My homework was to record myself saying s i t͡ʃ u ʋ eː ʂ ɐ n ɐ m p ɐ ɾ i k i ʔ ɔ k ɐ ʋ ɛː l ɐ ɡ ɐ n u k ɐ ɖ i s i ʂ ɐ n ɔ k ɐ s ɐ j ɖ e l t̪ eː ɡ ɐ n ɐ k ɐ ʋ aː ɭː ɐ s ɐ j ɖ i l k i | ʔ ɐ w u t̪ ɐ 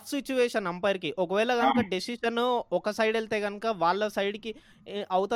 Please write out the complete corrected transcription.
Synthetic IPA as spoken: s i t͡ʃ u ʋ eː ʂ ɐ n ɐ m p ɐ ɾ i k i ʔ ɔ k ɐ ʋ ɛː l ɐ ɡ ɐ n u k ɐ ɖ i s i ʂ ɐ n ɔ k ɐ s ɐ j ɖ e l t̪ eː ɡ ɐ n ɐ k ɐ ʋ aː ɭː ɐ s ɐ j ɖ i k i | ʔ ɐ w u t̪ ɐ